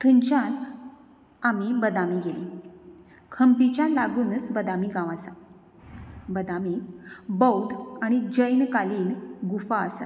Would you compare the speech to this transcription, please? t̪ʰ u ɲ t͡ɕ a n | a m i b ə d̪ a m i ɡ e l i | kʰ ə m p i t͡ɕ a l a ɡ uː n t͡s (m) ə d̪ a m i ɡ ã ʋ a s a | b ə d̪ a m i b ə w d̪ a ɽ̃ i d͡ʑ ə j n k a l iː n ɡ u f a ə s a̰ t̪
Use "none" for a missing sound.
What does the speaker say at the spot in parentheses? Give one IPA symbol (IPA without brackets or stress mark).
b